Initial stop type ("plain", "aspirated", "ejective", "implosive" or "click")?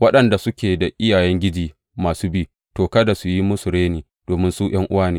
implosive